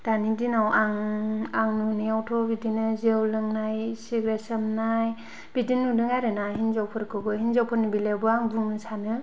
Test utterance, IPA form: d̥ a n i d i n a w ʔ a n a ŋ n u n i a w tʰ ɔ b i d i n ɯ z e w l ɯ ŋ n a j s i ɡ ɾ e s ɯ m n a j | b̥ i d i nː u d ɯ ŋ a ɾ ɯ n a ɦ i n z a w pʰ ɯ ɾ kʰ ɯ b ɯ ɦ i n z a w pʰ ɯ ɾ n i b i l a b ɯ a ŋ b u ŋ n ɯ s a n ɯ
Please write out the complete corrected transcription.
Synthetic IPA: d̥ a n i d i n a w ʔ a ŋ a ŋ n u n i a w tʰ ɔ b i d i n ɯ z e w l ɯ ŋ n a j s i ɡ ɾ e s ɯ m n a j | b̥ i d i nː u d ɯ ŋ a ɾ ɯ n a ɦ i n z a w pʰ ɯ ɾ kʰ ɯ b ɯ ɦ i n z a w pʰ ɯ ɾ n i b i l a b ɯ a ŋ b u ŋ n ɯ s a n ɯ